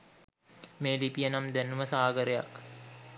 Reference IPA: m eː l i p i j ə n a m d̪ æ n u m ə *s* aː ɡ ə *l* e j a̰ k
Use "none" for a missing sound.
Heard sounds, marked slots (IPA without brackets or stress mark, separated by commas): s, ɾ